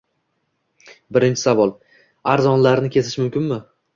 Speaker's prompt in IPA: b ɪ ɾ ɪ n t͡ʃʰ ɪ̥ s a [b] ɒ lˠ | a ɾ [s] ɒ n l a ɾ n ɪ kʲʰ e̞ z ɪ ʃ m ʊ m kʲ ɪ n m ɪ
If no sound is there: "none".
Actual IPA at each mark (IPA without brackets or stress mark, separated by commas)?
v, z